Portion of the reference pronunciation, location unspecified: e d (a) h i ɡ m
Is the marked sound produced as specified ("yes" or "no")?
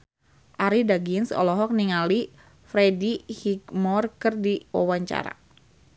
no